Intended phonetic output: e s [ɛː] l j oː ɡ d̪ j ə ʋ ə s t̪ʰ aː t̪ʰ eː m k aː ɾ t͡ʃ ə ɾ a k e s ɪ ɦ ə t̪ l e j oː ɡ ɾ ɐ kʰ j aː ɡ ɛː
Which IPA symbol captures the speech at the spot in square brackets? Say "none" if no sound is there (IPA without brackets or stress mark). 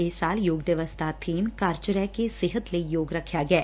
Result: aː